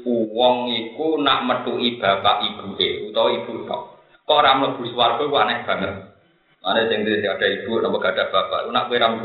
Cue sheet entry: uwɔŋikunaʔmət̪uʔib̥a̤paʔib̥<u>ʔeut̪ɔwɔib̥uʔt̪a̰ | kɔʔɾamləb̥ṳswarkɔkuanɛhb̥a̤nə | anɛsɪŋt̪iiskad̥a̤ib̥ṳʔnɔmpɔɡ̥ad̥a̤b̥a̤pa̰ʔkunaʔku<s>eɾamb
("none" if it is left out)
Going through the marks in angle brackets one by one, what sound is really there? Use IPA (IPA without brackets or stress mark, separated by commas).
u, none